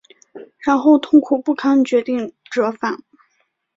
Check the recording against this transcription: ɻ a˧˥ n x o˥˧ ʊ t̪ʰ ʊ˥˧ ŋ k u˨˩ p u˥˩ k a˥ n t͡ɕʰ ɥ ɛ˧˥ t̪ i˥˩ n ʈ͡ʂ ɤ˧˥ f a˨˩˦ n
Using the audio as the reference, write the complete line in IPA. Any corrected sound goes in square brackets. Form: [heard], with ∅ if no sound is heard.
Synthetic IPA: ɻ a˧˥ n x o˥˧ ʊ t̪ʰ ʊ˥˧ ŋ [kʰ] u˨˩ p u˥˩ [kʰ] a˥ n [t͡ɕ] ɥ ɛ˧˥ t̪ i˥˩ [ŋ] ʈ͡ʂ ɤ˧˥ f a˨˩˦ n